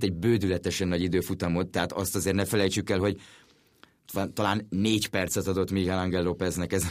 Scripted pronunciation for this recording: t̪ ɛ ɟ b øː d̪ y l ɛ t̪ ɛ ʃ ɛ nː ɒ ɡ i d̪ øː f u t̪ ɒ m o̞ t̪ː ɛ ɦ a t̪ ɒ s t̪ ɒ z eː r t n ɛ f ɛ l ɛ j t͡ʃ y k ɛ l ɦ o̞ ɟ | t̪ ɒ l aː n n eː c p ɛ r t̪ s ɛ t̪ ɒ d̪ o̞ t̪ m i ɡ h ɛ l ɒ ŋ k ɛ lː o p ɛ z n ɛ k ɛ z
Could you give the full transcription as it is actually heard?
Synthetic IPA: t̪ ɛ ɟ b øː d̪ y l ɛ t̪ ɛ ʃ ɛ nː ɒ ɟ i d̪ øː f u t̪ ɒ m o̞ t̪ː ɛ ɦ a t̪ ɒ s t̪ ɒ z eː r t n ɛ f ɛ l ɛ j t͡ʃ y k ɛ l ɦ o̞ ɟ | t̪ ɒ l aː n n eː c p ɛ r t̪ s ɛ t̪ ɒ d̪ o̞ t̪ m i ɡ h ɛ l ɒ ŋ ɡ ɛ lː o p ɛ z n ɛ k ɛ z